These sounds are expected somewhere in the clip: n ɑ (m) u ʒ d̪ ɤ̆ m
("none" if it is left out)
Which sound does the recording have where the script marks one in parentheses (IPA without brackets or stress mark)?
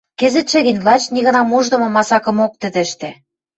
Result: m